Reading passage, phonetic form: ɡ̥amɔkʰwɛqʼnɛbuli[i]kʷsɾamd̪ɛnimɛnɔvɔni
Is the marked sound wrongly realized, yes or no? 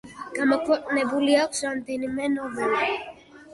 yes